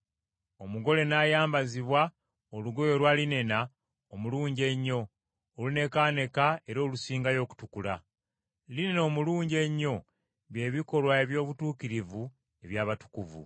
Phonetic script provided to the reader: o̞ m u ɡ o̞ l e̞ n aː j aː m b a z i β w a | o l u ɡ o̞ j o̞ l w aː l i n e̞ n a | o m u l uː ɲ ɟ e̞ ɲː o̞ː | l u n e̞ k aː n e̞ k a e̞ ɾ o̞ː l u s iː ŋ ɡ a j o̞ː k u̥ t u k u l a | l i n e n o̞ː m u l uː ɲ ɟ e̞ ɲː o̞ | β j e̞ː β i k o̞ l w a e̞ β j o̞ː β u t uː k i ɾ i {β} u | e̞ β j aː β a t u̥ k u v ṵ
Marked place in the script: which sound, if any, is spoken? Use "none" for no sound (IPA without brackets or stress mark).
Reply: v